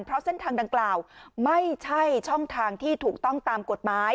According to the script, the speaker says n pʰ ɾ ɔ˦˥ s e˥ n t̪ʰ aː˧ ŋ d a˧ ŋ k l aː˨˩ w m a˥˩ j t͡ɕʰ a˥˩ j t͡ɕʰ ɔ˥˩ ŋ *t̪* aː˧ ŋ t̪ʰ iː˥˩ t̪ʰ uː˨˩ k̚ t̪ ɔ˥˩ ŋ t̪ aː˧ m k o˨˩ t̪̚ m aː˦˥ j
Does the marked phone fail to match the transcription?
yes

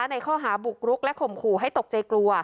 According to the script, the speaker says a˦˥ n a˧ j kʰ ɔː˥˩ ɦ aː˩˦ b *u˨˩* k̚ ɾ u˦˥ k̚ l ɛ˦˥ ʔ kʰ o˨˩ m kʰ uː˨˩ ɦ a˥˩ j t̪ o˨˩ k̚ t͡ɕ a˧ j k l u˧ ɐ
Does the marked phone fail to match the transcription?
no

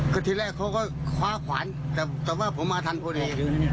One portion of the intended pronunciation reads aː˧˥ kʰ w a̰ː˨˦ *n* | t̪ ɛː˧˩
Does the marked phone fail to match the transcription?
no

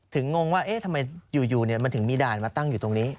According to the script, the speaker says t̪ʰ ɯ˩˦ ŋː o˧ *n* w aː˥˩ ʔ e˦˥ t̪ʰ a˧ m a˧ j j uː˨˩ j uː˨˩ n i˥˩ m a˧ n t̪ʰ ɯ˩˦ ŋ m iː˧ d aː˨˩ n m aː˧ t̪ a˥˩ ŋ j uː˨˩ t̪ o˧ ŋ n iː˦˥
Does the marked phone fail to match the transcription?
yes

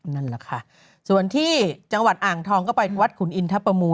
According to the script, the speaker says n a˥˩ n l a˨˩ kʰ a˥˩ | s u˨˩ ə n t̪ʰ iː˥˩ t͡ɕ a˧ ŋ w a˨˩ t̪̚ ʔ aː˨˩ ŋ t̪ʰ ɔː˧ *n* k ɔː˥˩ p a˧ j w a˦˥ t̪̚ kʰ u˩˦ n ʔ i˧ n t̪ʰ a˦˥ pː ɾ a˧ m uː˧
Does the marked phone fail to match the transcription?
yes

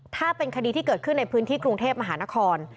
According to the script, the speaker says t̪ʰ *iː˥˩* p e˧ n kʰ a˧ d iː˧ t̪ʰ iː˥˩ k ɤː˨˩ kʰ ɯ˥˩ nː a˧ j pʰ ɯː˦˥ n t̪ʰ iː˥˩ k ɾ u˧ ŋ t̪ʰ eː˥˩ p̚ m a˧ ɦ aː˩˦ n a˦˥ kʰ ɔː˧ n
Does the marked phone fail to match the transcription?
yes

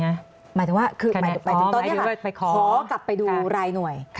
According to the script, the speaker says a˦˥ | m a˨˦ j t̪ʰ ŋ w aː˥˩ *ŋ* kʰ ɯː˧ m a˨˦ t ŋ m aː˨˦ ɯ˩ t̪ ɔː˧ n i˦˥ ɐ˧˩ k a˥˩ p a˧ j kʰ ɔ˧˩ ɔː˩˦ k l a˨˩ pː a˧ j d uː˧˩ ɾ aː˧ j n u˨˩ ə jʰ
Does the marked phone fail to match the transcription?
yes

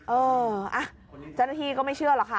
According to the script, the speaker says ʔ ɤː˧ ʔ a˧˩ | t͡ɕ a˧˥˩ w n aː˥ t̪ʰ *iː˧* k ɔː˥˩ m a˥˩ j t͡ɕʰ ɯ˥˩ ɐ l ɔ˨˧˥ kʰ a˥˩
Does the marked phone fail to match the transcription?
no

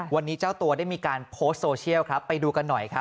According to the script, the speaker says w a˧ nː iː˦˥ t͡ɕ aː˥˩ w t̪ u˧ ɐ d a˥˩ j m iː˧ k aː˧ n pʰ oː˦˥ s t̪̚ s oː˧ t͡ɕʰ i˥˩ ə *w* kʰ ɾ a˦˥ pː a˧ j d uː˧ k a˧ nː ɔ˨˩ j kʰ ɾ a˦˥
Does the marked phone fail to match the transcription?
no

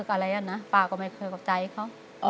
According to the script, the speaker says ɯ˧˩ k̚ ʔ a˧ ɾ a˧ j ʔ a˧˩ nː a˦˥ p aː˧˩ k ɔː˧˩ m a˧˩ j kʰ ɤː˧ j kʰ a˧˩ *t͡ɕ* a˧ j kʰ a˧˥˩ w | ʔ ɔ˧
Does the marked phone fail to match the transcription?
no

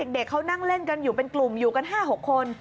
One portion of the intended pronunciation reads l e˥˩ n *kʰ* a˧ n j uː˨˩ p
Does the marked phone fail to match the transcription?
yes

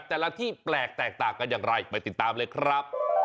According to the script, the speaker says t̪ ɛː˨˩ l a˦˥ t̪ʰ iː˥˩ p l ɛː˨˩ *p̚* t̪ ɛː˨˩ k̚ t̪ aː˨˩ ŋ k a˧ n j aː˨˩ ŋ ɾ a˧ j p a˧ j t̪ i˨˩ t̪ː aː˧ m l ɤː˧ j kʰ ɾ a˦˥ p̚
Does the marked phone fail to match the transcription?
yes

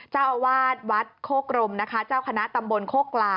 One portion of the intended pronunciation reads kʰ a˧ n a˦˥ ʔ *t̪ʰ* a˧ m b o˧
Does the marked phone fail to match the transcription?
yes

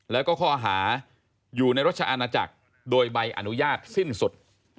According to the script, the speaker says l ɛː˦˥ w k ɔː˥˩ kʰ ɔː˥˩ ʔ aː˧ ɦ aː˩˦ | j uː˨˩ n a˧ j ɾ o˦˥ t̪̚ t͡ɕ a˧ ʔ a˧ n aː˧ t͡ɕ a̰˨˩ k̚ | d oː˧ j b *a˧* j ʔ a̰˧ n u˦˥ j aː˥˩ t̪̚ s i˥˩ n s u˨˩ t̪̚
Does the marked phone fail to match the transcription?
no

